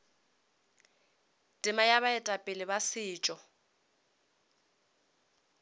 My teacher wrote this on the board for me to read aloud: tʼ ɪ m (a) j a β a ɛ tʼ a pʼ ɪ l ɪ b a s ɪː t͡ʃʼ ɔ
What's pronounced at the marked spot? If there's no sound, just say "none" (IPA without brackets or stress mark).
a